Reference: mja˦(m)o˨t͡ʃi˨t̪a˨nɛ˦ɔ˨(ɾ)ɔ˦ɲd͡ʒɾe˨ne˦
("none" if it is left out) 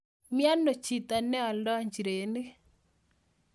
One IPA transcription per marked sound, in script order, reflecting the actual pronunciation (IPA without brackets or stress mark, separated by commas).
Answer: n, l